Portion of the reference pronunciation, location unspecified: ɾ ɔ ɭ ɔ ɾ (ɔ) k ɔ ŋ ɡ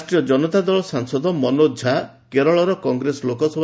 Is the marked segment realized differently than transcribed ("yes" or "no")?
no